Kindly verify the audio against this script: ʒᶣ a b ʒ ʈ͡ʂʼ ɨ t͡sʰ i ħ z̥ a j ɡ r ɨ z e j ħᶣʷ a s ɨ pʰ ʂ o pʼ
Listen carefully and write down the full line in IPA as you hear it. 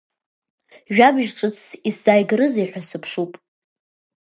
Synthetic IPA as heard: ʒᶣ a b ʒ ʈ͡ʂʼ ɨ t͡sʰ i s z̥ a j ɡ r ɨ z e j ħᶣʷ a s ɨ pʰ ʂ u pʼ